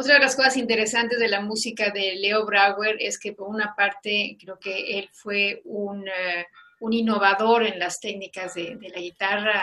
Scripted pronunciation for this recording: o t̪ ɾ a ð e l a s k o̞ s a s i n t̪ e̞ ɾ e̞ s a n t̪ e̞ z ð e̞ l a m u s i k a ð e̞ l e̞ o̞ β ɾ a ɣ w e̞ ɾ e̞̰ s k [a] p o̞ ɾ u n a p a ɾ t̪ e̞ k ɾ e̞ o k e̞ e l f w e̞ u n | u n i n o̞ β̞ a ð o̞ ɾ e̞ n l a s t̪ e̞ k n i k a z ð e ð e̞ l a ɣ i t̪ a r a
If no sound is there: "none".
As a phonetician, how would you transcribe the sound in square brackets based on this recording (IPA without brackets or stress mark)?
e